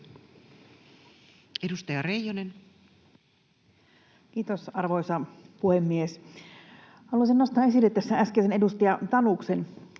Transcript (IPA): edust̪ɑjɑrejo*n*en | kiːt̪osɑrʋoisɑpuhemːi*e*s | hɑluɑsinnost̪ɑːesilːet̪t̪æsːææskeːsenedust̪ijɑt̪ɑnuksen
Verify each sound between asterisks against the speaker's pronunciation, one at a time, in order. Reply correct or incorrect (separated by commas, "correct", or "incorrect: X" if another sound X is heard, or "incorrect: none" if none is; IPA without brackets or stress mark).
correct, correct